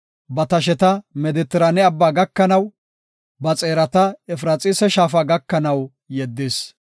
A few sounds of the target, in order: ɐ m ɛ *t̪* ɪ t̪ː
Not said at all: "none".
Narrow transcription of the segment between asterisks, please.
d̪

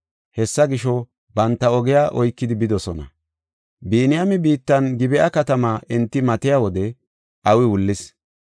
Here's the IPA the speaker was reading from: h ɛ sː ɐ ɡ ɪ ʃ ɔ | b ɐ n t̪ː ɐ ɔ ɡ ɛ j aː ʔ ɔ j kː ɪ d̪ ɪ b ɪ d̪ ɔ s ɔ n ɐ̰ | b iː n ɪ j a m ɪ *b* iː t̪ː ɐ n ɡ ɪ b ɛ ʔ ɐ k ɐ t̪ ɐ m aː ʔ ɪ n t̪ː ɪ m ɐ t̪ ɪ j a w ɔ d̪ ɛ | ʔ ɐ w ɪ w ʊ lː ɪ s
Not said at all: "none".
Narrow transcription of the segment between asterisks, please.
b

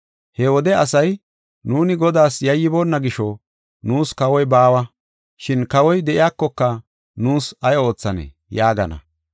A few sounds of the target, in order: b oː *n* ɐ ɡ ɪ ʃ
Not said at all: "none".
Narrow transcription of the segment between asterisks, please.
nː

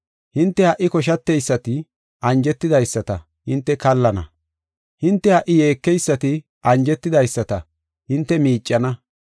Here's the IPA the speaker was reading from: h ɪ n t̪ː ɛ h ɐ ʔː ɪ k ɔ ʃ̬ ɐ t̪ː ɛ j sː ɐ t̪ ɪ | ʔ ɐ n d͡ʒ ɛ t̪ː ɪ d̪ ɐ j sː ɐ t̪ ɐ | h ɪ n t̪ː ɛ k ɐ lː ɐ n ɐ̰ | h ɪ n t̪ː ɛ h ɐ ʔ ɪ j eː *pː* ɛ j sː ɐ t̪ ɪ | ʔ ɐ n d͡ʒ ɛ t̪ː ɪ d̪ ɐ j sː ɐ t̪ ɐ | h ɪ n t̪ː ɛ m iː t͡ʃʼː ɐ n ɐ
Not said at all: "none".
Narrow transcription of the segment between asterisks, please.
kː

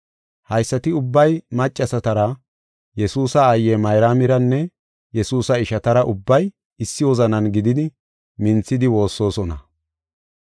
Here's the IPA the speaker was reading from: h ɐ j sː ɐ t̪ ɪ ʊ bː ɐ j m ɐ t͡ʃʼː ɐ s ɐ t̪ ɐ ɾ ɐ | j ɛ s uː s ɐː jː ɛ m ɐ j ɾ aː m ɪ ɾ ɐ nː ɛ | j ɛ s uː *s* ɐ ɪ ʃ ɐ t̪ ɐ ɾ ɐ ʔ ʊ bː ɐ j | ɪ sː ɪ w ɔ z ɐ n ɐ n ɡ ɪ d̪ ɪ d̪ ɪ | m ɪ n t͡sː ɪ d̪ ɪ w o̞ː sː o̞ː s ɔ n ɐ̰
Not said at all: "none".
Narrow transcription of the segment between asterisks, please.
s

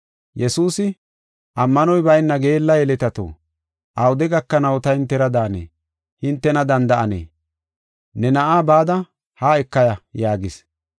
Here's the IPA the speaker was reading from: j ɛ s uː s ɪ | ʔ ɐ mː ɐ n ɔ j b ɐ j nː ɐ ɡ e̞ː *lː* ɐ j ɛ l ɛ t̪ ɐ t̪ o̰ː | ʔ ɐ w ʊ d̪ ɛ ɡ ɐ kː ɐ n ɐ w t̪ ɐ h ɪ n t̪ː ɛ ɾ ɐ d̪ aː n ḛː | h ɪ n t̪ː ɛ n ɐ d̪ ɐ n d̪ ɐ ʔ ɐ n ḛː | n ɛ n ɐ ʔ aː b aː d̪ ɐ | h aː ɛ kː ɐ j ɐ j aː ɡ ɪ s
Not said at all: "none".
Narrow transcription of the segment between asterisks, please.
lː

